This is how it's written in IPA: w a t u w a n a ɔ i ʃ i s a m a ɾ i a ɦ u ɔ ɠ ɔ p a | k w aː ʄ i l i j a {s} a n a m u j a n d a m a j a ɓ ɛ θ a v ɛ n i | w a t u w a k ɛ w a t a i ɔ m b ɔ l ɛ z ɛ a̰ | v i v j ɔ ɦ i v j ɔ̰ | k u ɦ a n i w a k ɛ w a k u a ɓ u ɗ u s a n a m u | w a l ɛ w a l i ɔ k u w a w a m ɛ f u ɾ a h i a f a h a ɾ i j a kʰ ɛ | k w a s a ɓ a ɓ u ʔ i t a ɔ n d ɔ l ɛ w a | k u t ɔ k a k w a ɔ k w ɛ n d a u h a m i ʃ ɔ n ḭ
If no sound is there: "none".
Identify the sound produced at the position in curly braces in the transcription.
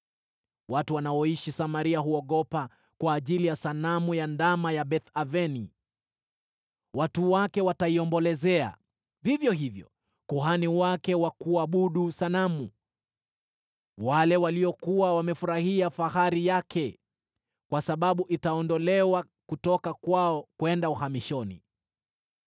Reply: s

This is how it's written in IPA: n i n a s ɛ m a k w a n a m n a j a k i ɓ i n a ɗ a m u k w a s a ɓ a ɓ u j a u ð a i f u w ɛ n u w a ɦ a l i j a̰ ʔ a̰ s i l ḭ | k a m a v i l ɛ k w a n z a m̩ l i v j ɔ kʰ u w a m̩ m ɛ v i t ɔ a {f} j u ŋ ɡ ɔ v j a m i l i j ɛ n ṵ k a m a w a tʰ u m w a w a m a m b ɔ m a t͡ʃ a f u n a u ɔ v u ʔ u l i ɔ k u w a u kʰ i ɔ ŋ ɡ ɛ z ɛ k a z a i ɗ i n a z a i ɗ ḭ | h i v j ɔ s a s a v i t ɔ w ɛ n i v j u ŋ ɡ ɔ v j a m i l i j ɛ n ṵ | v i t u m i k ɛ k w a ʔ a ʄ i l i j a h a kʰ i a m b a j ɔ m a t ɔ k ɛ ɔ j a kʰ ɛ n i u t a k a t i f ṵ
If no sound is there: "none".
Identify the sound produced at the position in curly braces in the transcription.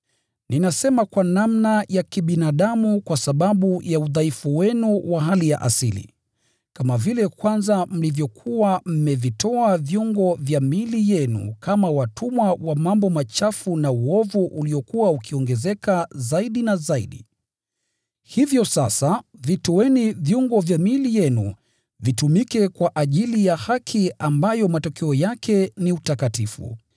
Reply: v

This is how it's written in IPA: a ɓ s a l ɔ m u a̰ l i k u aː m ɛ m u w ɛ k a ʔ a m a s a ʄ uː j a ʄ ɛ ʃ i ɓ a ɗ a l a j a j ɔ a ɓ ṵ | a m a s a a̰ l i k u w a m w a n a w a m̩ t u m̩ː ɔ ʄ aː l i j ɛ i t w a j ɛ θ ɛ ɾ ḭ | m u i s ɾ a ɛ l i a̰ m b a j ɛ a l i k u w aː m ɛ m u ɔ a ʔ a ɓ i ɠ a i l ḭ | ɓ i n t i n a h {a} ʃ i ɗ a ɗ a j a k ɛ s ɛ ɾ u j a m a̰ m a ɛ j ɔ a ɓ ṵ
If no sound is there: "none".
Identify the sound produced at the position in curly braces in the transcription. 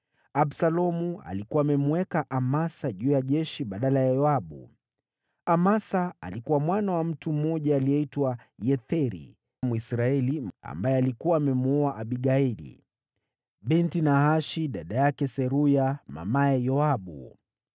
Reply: a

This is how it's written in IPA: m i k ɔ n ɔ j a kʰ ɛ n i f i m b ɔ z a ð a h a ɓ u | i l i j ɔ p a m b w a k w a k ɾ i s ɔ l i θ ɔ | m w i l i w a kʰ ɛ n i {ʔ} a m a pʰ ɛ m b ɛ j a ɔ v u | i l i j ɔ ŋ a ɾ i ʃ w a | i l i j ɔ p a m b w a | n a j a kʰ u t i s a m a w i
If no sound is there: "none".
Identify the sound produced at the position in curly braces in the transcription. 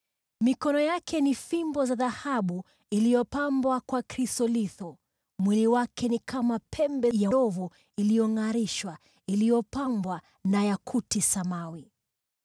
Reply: k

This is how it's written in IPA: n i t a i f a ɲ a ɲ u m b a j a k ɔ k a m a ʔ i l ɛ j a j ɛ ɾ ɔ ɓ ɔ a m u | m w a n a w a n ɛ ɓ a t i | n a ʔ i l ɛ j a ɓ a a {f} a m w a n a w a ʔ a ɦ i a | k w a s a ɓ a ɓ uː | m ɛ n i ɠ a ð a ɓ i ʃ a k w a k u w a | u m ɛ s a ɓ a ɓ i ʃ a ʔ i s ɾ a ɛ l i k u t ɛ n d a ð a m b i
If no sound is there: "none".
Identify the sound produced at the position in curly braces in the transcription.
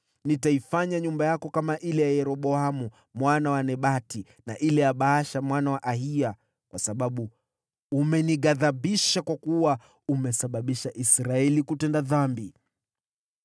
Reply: ʃ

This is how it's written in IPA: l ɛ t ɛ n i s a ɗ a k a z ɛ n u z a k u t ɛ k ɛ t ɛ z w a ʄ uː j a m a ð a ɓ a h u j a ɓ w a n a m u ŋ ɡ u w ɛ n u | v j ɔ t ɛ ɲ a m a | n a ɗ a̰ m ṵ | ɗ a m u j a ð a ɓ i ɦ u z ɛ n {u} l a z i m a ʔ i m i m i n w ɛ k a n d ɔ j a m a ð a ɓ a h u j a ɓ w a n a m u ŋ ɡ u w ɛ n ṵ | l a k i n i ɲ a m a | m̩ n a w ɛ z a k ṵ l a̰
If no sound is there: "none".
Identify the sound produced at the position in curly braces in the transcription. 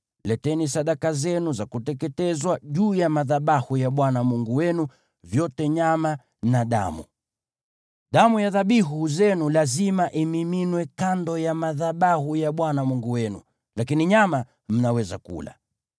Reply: u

